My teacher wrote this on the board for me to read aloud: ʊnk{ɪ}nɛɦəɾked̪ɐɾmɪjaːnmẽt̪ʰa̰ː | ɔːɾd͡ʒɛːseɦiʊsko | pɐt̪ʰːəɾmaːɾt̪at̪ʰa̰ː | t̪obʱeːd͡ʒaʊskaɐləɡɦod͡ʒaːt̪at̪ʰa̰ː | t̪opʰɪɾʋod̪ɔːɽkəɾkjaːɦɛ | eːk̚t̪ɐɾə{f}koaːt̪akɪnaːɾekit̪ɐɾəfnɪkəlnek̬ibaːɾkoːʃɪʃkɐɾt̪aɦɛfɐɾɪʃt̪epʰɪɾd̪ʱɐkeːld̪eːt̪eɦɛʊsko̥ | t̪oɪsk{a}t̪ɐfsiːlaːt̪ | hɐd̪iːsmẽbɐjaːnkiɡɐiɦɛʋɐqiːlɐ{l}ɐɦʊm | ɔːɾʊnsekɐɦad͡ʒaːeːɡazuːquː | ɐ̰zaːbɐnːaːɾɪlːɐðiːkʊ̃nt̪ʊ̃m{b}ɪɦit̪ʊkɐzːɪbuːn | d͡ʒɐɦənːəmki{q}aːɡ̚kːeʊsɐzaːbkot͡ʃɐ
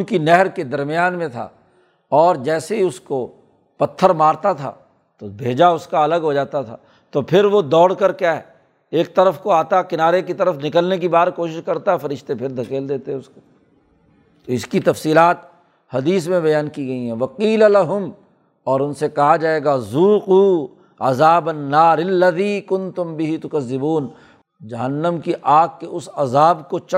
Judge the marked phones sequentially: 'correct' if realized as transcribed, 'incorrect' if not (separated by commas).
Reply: incorrect, correct, incorrect, correct, correct, incorrect